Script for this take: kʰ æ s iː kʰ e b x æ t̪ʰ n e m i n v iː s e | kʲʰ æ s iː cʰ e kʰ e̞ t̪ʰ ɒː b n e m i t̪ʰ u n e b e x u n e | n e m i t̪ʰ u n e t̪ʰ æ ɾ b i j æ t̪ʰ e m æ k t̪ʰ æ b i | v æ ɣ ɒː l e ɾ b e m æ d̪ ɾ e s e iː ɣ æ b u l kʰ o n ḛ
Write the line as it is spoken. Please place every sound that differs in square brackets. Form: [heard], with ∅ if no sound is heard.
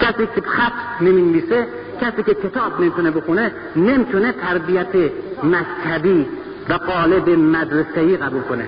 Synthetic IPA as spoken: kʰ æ s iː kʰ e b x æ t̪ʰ n e m i n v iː s e | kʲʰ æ s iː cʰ e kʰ e̞ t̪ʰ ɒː b n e m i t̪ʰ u n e b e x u n e | n e m i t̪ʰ u n e t̪ʰ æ ɾ b i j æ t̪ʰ e m æ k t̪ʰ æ b i | v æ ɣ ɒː l e [∅] b e m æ d̪ ɾ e s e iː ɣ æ b u l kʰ o n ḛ